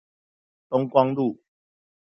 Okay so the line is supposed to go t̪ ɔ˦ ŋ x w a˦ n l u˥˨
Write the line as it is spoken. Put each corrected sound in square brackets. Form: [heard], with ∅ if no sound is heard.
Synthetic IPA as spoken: t̪ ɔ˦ ŋ [k] w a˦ [ŋ] l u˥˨